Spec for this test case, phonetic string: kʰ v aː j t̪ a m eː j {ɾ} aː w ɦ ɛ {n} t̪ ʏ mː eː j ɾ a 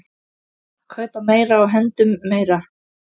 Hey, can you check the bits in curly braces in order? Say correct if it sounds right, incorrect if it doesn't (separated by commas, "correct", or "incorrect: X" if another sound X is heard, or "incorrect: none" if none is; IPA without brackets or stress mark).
correct, correct